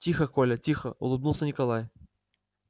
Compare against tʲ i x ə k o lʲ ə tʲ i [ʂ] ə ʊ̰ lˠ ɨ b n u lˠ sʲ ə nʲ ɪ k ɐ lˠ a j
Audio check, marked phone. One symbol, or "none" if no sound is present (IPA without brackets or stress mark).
x